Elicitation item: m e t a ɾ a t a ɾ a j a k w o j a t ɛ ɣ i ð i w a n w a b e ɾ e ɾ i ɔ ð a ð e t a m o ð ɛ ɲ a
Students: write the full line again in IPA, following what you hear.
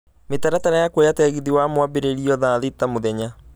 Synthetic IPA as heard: m e t a ɾ a t a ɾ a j a k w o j a t ɛ ɣ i ð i w a m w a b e ɾ e ɾ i ɔ ð a ð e t a m o ð ɛ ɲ a